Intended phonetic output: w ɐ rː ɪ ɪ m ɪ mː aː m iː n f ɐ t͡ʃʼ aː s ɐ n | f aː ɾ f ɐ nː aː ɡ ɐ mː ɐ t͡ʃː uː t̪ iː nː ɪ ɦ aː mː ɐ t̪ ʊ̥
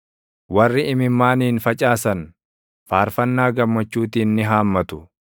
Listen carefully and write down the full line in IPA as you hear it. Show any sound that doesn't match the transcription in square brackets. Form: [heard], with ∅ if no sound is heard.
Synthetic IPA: w ɐ rː ɪ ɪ m ɪ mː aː [n] iː n f ɐ t͡ʃʼ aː s ɐ n | f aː ɾ f ɐ nː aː ɡ ɐ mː ɐ t͡ʃː uː t̪ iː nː ɪ ɦ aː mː ɐ t̪ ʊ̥